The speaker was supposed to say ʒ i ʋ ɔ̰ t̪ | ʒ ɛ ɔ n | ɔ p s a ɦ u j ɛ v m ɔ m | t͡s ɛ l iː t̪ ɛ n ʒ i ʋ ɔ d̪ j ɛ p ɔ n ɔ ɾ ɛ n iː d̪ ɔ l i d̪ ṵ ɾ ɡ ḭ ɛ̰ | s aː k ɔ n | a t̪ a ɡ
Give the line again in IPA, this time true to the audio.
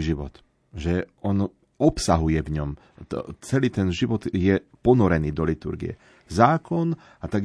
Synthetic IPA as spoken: ʒ i ʋ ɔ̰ t̪ | ʒ ɛ ɔ n | ɔ p s a ɦ u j ɛ v ɲ ɔ m | t͡s ɛ l iː t̪ ɛ n ʒ i ʋ ɔ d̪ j ɛ p ɔ n ɔ ɾ ɛ n iː d̪ ɔ l i t̪ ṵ ɾ ɡ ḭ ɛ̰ | z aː k ɔ n | a t̪ a ɡ